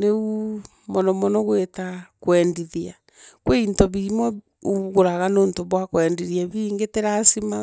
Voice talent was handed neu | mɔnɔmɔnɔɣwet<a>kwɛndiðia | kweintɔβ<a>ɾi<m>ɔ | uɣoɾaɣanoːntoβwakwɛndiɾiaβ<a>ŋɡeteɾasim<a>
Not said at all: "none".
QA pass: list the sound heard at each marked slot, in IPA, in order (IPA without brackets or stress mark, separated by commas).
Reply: a, i, m, i, a